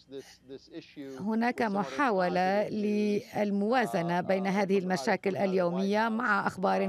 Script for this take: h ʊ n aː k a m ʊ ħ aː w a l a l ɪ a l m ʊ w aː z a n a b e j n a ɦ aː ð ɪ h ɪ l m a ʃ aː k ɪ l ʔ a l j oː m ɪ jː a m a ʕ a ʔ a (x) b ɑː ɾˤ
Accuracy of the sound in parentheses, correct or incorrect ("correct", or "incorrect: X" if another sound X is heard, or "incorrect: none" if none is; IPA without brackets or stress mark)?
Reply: correct